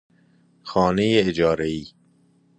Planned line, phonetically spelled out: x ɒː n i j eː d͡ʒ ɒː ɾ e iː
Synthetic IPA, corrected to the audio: x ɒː n e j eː d͡ʒ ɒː ɾ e iː